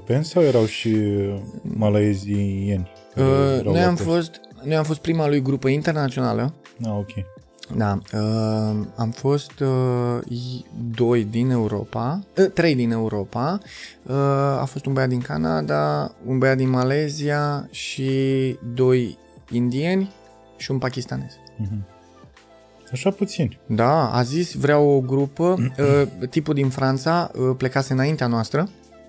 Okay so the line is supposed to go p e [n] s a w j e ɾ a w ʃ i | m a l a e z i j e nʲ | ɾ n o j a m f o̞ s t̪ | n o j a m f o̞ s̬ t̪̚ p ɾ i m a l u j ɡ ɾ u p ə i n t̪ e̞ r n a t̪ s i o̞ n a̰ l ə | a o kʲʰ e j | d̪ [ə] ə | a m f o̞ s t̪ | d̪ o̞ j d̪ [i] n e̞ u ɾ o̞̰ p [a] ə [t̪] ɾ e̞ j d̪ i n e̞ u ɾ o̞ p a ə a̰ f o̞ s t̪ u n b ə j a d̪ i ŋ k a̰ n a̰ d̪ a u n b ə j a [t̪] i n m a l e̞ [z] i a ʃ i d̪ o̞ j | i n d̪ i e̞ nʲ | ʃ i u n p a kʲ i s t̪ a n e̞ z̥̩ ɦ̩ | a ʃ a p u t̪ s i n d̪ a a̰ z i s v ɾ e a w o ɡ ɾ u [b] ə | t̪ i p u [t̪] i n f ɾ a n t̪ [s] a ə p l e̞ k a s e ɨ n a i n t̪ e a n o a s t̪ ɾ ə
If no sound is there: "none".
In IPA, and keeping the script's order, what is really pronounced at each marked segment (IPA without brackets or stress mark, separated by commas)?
n, a, i, a, t̪, d̪, z, p, d̪, s